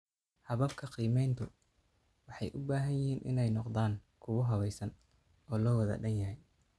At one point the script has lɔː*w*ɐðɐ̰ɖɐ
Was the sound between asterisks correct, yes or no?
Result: yes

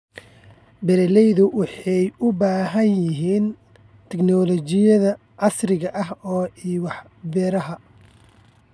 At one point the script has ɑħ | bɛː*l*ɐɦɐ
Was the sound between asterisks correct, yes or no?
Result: no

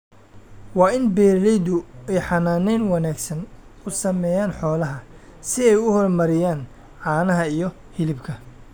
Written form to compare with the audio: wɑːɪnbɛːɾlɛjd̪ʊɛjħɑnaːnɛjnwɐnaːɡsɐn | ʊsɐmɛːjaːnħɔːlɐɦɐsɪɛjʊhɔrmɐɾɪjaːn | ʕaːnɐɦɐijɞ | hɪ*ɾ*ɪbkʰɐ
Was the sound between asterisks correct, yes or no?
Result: no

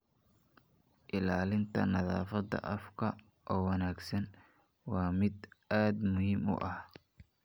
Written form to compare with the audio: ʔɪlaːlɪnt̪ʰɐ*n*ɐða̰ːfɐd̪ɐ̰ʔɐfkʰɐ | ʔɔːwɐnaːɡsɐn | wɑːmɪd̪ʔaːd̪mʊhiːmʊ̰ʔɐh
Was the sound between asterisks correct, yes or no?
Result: yes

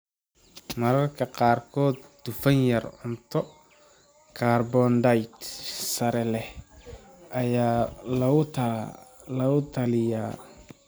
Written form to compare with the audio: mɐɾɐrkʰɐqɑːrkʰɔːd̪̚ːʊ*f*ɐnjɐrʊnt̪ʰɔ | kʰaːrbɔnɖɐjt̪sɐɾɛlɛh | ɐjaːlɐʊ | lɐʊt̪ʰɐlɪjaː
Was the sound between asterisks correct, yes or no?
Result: yes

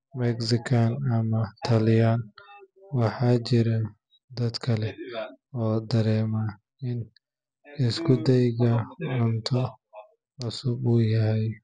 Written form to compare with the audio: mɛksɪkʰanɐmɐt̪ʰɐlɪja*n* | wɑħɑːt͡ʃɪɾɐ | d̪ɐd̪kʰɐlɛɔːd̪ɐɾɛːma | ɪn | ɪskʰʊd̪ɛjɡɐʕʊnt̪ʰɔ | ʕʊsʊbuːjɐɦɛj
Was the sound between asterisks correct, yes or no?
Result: yes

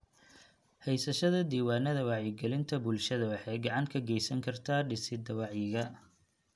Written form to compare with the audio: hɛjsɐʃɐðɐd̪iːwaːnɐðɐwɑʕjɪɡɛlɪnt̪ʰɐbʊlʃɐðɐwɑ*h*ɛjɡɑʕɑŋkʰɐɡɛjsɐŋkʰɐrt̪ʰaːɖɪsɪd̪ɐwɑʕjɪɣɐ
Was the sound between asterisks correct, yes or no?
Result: no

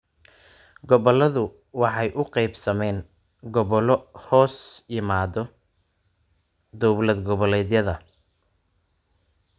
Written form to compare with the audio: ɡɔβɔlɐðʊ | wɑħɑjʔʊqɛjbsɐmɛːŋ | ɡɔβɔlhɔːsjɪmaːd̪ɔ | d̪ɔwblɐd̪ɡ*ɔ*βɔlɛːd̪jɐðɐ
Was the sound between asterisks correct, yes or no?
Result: yes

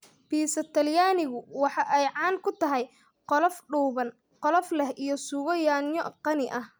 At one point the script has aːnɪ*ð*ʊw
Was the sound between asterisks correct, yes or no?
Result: no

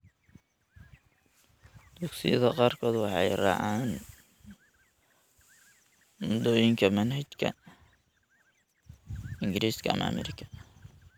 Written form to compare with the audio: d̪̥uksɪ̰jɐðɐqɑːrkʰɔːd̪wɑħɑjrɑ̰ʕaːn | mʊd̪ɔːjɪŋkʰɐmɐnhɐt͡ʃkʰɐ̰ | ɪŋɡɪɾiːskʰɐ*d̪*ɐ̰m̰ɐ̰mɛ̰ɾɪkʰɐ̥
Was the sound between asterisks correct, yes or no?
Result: no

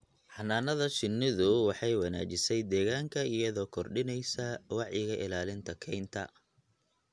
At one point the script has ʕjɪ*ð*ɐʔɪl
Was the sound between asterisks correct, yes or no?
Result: no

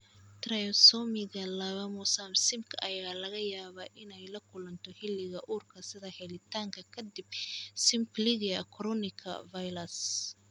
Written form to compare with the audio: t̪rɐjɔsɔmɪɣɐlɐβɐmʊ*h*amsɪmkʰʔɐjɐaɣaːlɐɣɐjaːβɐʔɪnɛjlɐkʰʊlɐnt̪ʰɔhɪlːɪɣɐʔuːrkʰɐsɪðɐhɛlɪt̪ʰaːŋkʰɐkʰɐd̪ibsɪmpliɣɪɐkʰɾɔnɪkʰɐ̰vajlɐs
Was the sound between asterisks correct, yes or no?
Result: no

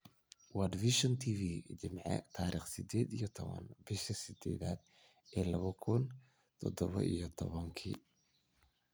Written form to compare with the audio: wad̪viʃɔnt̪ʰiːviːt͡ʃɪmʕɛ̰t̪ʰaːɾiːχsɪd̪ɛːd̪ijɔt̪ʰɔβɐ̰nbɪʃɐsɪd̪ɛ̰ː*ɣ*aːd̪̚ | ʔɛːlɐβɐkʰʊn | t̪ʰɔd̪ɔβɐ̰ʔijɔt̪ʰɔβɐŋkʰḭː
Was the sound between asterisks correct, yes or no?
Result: no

